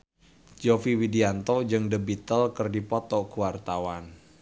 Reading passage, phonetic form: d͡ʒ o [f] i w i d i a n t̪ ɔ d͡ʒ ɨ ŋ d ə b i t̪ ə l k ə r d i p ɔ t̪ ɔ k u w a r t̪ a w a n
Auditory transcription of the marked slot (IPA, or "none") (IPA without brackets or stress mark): f